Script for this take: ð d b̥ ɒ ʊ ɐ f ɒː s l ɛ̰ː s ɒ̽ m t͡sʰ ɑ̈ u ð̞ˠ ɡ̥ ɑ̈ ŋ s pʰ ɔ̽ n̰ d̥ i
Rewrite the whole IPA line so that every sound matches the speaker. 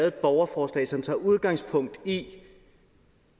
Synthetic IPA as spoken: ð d b̥ ɒ ʊ ɐ f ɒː s l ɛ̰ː s ɒ̽ m t͡sʰ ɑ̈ u ð̞ˠ ɡ̥ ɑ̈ ŋ s pʰ ɔ̽ ŋ̰ d̥ i